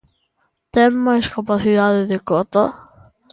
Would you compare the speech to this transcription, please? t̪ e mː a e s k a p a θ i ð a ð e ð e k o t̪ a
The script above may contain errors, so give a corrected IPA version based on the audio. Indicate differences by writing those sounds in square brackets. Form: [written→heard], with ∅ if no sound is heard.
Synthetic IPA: t̪ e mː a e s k a p a θ i ð a ð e ð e k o t̪ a